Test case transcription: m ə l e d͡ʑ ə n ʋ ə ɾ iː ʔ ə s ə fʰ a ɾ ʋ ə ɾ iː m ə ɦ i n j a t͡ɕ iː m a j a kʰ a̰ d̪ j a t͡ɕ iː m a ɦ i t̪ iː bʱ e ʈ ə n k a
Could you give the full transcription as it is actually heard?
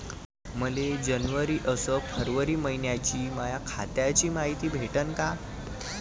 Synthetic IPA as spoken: m ə l e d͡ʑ ə n ʋ ə ɾ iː ʔ ə s ə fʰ ə ɾ ʋ ə ɾ iː m ə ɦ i n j a t͡ɕ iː m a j a kʰ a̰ t̪ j a t͡ɕ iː m a ɦ i t̪ iː bʱ e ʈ ə n k a

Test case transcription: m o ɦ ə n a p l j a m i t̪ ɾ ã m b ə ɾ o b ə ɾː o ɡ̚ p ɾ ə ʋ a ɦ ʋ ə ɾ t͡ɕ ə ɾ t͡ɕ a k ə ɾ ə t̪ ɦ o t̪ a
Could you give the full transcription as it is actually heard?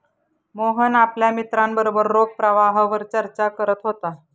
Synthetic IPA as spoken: m o ɦ ə n a p l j a m i t̪ ɾ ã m b ə ɾ o b ə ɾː o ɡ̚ p ɾ ə ʋ a ɦ ʋ ə ɾ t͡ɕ ə ɾ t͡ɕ a k ə ɾ ə t̪ ɦ o t̪ a

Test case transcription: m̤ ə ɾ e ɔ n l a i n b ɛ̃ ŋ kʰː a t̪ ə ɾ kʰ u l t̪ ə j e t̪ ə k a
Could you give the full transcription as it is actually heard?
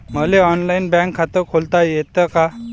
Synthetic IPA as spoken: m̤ ə l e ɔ n l a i n b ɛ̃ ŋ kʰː a t̪ ə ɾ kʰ o l t̪ a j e t̪ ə k a

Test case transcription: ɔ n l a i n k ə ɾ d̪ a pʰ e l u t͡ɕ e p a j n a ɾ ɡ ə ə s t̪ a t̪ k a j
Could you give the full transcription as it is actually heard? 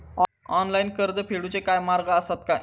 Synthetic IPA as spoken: ɔ n l a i n k ə ɾ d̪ ə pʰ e ɽ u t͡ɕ e k a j m a ɾ ɡ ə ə s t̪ a t̪ k a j

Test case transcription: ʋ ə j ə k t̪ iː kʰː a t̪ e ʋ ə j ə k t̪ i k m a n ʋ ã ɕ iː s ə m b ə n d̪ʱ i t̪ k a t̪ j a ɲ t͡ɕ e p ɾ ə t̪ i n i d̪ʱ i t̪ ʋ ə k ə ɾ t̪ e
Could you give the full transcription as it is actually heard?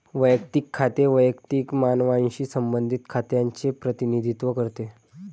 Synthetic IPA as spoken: ʋ ə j ə k t̪ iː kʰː a t̪ e ʋ ə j ə k t̪ i k m a n ʋ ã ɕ iː s ə m b ə n d̪ʱ i t̪ kʰ a t̪ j a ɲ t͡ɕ e p ɾ ə t̪ i n i d̪ʱ i t̪ ʋ ə k ə ɾ t̪ e

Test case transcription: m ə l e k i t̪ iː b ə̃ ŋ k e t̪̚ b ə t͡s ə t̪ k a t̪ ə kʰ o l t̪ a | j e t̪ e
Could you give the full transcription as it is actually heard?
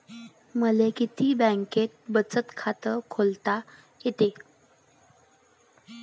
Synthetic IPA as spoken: m ə l e k i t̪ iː b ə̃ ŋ k e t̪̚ b ə t͡s ə t̪ kʰ a t̪ ə kʰ o l t̪ a | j e t̪ e

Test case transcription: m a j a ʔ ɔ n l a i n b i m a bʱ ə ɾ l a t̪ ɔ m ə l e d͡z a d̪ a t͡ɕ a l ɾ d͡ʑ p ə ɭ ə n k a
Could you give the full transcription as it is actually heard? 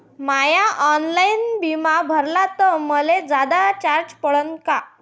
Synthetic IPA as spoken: m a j a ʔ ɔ n l a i n b i m a bʱ ə ɾ l a t̪ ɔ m ə l e d͡z a d̪ a t͡ɕ a ɾ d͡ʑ p ə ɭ ə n k a

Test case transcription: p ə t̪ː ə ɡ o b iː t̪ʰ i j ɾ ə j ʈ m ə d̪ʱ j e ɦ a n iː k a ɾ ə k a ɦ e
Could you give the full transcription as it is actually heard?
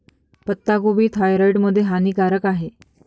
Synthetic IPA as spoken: p ə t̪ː a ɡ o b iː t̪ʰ a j ɾ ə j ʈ m ə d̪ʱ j e ɦ a n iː k a ɾ ə k a ɦ e

